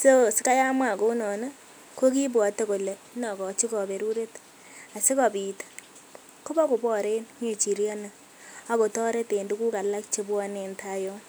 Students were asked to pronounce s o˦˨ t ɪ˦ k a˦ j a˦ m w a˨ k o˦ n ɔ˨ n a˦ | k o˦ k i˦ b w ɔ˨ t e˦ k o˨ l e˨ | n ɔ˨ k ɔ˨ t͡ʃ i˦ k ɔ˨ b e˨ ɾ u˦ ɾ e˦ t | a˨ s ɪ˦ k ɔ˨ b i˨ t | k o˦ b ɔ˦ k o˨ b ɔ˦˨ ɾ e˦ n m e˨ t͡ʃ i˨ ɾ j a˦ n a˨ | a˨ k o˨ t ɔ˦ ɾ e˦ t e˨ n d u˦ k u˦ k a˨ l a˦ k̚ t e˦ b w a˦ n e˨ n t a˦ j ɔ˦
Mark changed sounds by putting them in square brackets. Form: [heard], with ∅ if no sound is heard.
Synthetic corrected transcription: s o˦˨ [s] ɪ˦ k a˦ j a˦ m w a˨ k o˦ n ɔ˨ n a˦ | k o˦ k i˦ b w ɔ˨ t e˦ k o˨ l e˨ | n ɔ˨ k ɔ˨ t͡ʃ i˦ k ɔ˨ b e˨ ɾ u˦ ɾ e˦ t | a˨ s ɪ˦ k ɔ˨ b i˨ t | k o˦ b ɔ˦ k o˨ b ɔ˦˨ ɾ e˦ n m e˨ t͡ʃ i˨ ɾ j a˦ n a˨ | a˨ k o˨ t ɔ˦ ɾ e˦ t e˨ n d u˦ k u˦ k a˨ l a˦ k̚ [t͡ʃ] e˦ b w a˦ n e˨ n t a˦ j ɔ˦